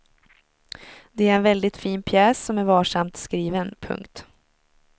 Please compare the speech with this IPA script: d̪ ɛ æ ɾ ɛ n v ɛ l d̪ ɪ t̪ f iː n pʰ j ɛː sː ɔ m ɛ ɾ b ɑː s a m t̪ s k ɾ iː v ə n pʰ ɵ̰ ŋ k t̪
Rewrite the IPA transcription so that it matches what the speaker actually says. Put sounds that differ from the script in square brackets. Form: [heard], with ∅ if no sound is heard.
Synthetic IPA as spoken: d̪ ɛ æ ɾ ɛ n v ɛ l d̪ ɪ t̪ f iː n pʰ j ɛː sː ɔ m [æ] ɾ [v] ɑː [ʂ] a m t̪ s k ɾ iː v ə n pʰ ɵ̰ ŋ k t̪